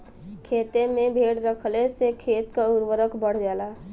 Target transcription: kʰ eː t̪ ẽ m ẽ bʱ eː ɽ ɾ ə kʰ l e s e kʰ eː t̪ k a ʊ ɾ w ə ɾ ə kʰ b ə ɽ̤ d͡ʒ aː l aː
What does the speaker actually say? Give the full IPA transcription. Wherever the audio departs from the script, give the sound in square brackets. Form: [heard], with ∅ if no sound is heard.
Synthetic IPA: kʰ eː t̪ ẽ m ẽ bʱ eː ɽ ɾ ə kʰ l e s e kʰ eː t̪ k a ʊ ɾ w ə ɾ ə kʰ b ə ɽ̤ d͡ʒ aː l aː